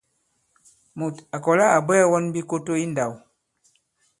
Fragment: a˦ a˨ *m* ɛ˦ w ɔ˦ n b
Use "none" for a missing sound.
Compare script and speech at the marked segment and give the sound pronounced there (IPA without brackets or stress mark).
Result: b